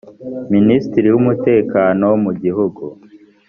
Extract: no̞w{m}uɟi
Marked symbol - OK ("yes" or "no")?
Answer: yes